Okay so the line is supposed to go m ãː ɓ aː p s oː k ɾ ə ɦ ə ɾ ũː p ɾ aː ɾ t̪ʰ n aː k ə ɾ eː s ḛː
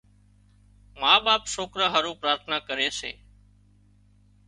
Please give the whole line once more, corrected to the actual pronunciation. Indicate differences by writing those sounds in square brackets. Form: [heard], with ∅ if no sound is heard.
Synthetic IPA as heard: m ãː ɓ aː p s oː k ɾ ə ɦ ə ɾ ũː p ɾ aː ɾ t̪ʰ n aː k ə ɾ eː s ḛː